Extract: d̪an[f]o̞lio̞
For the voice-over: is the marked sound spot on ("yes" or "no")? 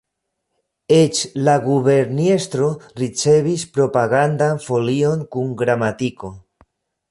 yes